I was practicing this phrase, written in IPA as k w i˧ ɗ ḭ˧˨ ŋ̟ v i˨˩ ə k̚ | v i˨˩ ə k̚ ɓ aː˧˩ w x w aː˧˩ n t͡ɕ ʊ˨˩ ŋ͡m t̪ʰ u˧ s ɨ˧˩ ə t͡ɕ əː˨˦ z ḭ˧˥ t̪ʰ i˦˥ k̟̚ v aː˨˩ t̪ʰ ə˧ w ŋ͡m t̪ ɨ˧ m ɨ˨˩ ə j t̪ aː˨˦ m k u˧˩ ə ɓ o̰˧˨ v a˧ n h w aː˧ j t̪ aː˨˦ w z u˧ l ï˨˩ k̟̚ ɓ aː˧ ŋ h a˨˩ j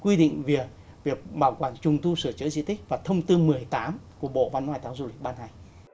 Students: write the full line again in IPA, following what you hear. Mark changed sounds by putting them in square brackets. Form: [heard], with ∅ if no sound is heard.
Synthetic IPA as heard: k w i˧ ɗ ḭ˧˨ ŋ̟ v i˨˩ ə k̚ | v i˨˩ ə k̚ ɓ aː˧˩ w [k] w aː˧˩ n t͡ɕ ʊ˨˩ ŋ͡m [t̪] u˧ s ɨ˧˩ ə t͡ɕ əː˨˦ z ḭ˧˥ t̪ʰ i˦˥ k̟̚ v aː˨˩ t̪ʰ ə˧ w ŋ͡m t̪ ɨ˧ m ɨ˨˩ ə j t̪ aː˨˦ m k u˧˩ ə ɓ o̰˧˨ v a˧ n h w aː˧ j t̪ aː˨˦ w z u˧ l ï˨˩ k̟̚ ɓ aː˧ [n] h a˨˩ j